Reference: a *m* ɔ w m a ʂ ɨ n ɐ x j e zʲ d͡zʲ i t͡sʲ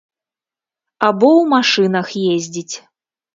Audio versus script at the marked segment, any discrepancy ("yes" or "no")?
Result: yes